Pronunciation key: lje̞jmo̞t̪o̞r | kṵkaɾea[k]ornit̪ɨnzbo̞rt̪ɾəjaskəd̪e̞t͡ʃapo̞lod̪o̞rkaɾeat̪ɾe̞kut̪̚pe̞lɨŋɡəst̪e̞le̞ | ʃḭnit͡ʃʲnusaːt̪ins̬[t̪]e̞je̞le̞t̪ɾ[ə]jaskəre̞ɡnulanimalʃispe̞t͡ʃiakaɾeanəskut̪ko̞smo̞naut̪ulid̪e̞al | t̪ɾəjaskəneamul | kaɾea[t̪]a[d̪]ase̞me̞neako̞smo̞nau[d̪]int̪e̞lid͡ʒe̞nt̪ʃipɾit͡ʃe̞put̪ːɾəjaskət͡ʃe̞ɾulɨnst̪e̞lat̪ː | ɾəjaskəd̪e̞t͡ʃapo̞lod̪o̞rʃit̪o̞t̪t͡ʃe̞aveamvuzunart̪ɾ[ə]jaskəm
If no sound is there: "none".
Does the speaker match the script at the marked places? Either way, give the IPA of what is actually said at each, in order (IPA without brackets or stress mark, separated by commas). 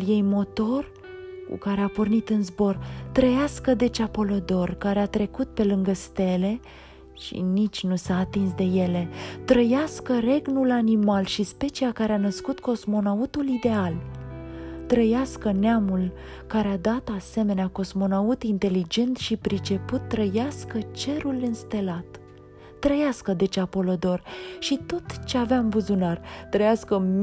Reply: p, d̪, ə, d̪, t̪, t̪, ə